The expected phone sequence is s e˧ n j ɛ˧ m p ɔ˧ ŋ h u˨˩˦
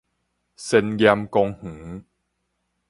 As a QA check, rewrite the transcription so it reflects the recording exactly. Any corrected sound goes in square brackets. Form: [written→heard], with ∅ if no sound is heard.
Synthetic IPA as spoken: s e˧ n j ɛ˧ m [p→k] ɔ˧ ŋ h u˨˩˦